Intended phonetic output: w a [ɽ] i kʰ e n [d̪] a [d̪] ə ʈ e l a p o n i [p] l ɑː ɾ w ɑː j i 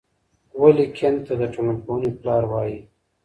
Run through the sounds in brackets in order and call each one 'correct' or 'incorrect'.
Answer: incorrect: l, incorrect: t̪, correct, correct

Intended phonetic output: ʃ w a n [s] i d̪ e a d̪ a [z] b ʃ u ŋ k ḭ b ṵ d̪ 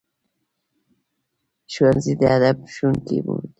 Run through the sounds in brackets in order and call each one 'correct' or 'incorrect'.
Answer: incorrect: z, incorrect: none

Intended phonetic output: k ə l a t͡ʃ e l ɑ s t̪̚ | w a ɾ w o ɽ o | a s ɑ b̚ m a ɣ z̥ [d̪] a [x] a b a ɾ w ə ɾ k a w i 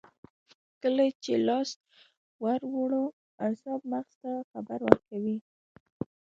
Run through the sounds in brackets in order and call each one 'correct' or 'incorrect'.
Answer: incorrect: t̪, correct

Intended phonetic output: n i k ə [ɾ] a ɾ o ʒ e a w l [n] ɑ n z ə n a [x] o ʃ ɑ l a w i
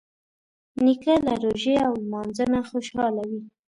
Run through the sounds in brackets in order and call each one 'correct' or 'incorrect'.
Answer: incorrect: l, incorrect: m, correct

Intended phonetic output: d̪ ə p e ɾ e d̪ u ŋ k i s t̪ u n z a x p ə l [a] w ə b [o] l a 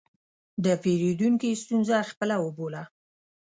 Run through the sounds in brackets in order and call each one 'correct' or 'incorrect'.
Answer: correct, correct

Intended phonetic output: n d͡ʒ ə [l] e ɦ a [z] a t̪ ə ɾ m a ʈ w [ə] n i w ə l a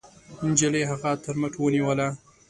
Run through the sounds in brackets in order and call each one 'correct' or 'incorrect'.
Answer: correct, incorrect: ɣ, correct

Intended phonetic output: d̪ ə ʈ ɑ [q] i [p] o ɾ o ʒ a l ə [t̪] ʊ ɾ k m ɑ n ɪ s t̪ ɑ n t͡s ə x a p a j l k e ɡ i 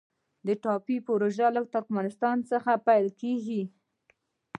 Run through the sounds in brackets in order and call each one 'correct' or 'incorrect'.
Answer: incorrect: p, correct, correct

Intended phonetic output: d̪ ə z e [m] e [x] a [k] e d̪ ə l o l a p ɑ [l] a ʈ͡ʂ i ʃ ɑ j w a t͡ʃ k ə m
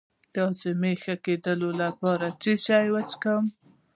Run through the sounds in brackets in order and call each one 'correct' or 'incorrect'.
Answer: correct, correct, correct, incorrect: ɾ

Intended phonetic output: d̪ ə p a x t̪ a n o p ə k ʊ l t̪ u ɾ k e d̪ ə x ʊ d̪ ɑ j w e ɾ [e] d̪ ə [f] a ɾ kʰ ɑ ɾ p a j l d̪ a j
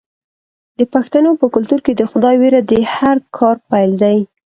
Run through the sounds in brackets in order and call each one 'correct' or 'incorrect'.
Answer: incorrect: a, incorrect: h

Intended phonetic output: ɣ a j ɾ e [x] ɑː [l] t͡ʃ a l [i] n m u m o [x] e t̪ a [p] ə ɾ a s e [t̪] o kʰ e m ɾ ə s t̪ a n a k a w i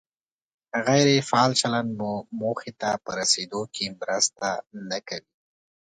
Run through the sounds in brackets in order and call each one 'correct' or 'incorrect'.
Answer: incorrect: f, correct, incorrect: a, correct, correct, incorrect: d̪

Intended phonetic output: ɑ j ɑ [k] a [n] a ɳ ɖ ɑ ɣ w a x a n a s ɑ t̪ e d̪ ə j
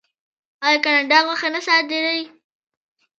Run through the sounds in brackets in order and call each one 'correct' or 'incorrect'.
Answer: correct, correct

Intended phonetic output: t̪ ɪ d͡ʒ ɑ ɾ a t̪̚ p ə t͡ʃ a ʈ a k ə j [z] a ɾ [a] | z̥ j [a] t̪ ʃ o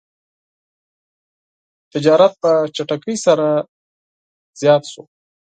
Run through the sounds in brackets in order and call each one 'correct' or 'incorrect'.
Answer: incorrect: s, correct, incorrect: ɑ

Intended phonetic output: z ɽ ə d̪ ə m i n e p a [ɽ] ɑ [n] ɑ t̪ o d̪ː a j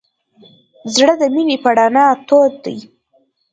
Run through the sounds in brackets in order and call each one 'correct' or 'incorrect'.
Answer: correct, correct

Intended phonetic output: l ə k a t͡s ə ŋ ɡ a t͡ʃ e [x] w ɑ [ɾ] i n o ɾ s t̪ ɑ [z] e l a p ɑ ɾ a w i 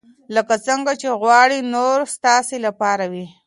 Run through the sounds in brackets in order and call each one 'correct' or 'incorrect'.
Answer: incorrect: ɣ, incorrect: ɽ, incorrect: s

